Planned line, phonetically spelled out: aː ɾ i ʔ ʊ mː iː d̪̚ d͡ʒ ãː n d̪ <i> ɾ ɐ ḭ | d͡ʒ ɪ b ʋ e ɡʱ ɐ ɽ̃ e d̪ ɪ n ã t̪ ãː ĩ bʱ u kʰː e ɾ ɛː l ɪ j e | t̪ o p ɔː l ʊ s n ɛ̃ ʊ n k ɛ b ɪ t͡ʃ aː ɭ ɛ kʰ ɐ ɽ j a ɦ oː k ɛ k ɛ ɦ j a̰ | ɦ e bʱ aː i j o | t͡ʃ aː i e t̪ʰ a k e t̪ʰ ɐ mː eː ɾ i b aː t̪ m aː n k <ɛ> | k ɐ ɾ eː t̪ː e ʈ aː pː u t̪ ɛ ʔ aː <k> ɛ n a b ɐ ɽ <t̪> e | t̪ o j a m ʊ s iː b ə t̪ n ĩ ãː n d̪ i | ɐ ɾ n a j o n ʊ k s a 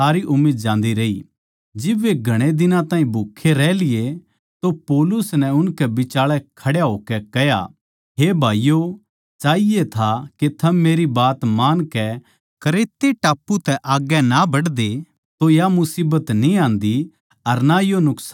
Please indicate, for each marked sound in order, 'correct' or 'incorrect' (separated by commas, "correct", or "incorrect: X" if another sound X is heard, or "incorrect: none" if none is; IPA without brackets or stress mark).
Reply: correct, correct, incorrect: ɡ, incorrect: d̪